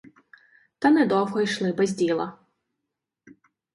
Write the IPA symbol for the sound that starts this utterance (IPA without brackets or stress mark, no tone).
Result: t̪